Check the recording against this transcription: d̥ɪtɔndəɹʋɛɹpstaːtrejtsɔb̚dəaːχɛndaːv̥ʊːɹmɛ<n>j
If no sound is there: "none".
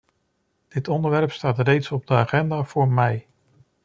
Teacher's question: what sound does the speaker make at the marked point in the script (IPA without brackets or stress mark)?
none